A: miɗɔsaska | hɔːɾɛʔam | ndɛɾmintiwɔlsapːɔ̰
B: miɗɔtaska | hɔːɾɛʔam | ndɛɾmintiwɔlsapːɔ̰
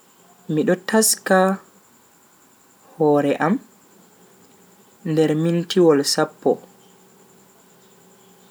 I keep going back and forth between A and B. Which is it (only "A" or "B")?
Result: B